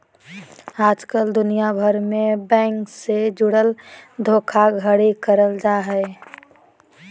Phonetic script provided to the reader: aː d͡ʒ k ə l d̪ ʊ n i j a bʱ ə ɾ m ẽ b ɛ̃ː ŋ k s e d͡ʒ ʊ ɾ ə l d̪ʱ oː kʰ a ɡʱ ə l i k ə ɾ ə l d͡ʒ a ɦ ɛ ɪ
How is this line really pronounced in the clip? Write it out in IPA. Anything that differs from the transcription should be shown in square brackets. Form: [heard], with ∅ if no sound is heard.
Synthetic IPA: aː d͡ʒ k ə l d̪ ʊ n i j a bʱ ə ɾ m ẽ b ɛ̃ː ŋ k s e d͡ʒ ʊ [ɽ] ə l d̪ʱ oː kʰ a ɡʱ ə [ɽ] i k ə ɾ ə l d͡ʒ a ɦ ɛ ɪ